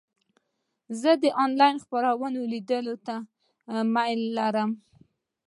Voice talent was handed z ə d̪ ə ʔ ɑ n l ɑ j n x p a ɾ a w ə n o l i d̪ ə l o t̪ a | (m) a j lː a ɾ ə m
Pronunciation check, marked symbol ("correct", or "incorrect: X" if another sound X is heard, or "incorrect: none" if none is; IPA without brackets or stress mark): correct